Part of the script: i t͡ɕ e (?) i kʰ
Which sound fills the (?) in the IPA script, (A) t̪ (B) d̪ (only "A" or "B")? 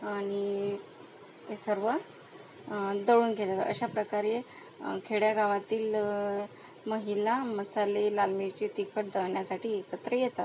A